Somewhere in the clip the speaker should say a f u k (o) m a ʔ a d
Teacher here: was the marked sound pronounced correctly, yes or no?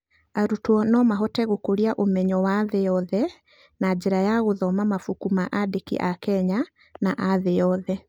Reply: no